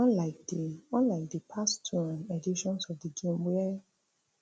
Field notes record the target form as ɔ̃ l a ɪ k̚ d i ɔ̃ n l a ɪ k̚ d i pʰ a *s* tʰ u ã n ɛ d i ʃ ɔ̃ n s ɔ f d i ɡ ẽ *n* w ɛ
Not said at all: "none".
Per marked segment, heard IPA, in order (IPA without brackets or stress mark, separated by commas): s, m